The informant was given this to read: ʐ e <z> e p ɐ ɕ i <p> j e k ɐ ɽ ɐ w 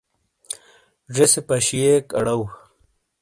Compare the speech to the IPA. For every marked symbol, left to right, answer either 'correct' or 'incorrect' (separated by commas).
incorrect, incorrect